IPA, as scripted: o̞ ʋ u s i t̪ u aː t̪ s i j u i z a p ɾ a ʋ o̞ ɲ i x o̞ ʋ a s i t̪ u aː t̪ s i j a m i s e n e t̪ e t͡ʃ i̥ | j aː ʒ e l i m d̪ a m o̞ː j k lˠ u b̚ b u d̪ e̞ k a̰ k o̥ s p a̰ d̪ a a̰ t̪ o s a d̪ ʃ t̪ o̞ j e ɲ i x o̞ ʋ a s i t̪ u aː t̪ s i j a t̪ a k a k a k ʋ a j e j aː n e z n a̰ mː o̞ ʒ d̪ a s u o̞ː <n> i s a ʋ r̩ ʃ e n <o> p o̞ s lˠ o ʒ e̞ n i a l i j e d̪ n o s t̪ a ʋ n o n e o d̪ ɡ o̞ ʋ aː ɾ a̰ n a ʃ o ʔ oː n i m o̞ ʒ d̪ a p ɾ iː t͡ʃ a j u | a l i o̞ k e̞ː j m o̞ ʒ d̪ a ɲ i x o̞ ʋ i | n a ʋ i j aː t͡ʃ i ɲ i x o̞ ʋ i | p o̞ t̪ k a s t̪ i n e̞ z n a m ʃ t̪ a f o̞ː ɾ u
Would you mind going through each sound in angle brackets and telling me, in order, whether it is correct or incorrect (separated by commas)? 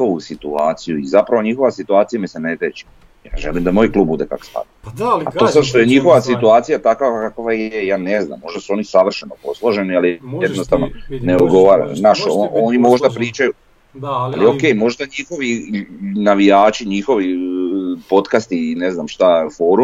correct, correct